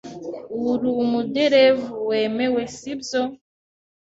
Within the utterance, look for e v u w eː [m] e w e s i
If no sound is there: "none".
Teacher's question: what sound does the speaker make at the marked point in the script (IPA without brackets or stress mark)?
m